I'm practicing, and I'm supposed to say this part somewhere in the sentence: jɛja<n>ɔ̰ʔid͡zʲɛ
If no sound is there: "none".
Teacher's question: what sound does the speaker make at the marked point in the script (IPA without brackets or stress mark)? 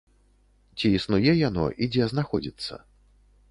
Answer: n